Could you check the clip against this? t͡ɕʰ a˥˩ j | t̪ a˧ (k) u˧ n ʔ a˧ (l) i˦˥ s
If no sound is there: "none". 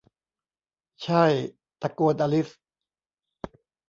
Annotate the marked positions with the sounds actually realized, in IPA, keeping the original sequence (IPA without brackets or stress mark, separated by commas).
k, l